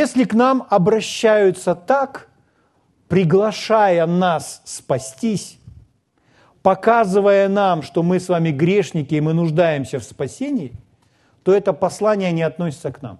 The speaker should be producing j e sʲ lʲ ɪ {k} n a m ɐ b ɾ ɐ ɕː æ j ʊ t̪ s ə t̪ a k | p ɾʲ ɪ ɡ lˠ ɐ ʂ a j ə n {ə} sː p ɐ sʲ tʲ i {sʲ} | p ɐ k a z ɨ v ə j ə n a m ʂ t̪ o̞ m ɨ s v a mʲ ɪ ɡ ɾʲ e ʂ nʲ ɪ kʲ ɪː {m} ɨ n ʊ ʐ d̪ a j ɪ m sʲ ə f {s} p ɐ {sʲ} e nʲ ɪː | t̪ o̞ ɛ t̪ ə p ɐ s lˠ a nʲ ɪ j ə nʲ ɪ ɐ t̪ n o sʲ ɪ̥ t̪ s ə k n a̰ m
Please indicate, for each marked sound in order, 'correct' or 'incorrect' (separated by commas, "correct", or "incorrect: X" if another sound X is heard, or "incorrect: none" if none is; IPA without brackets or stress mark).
correct, incorrect: a, correct, correct, correct, correct